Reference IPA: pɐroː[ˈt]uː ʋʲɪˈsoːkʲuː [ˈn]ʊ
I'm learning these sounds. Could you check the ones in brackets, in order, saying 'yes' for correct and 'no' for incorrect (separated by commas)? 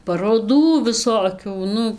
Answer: no, yes